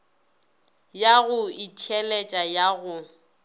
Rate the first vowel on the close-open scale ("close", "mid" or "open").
open